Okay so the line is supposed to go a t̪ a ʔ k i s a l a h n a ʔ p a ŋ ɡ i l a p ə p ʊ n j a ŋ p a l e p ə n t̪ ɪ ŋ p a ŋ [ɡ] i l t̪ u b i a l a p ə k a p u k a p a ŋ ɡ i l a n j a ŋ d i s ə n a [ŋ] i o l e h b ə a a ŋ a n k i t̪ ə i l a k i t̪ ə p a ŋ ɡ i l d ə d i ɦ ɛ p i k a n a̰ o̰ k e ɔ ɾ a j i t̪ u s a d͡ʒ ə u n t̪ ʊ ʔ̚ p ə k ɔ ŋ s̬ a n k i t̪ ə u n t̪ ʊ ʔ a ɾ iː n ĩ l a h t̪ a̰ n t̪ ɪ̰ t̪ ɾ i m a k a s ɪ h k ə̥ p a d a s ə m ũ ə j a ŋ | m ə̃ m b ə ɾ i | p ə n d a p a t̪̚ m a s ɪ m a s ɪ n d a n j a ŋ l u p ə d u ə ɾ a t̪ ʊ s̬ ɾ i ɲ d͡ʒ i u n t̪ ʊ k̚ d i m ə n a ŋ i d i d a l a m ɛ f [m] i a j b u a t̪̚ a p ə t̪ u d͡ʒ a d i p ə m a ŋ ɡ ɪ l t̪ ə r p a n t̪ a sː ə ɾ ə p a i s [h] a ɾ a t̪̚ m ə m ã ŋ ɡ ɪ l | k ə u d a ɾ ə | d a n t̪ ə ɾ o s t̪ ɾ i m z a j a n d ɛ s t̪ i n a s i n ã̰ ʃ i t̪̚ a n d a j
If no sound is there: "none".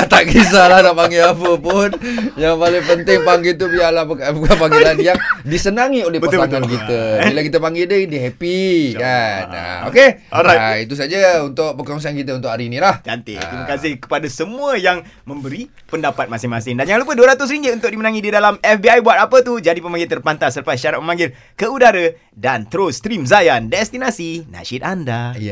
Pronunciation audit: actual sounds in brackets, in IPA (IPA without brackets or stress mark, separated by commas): ɡ, ŋ, b, ʃ